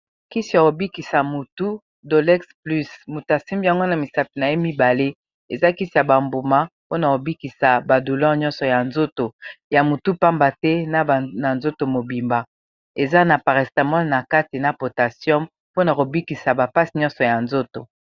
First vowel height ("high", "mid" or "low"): high